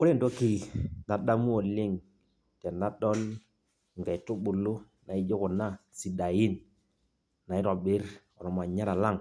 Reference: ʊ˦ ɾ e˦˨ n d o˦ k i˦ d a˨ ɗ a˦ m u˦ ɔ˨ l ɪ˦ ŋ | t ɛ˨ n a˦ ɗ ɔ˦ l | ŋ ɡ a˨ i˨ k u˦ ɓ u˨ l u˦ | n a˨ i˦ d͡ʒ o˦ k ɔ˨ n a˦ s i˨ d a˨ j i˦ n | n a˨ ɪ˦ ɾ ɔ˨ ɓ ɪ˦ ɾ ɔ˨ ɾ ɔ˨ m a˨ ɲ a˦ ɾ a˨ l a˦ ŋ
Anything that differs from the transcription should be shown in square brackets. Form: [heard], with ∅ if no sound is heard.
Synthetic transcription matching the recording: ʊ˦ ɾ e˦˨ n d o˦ k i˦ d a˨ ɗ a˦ m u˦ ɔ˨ l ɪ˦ ŋ | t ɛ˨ n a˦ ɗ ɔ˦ l | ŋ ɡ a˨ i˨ [t] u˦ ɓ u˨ l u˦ | n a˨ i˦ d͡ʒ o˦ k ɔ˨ n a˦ s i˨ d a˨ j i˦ n | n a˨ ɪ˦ ɾ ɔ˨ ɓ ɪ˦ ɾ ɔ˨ ɾ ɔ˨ m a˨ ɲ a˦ ɾ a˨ l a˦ ŋ